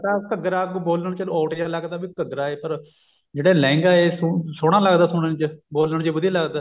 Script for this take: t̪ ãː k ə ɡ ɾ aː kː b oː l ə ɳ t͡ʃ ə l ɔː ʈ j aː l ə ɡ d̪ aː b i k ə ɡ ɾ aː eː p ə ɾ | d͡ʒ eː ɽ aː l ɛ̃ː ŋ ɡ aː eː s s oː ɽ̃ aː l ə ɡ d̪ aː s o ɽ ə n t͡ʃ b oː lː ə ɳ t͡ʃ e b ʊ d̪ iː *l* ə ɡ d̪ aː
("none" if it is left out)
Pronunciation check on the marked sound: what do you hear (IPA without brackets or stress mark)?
l